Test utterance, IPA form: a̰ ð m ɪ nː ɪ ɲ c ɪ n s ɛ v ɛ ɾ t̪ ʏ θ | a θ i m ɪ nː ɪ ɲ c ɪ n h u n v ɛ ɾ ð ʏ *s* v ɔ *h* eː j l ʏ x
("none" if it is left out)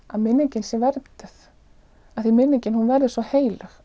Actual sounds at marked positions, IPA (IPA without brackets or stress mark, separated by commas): s, h